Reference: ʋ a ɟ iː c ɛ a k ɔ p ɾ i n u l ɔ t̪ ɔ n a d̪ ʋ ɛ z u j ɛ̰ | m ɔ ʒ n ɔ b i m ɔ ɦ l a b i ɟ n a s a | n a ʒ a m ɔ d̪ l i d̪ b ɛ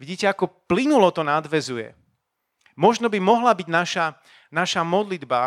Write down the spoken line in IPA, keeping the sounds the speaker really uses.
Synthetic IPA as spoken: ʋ i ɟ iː c ɛ a k ɔ p l i n u l ɔ t̪ ɔ n a d̪ ʋ ɛ z u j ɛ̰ | m ɔ ʒ n ɔ b i m ɔ ɦ l a b i ɟ n a ʃ a | n a ʃ a m ɔ d̪ l i d̪ b a